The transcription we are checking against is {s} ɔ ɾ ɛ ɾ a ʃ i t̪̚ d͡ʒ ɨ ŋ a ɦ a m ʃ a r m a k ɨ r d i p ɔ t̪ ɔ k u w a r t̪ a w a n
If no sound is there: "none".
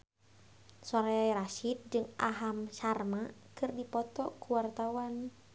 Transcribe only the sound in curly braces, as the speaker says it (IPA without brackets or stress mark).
s